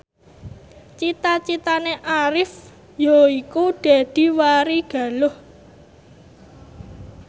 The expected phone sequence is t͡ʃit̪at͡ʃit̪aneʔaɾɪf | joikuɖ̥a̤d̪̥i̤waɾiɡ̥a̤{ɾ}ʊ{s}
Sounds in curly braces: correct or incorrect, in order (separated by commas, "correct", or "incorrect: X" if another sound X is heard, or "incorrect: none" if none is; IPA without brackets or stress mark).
incorrect: l, incorrect: h